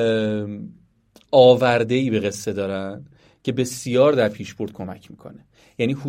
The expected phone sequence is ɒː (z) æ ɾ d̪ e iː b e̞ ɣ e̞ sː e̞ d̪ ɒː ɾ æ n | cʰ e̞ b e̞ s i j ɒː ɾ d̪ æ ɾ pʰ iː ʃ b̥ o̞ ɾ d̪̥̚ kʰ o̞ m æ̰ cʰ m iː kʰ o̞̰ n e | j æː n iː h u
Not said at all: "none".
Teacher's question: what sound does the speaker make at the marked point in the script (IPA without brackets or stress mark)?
v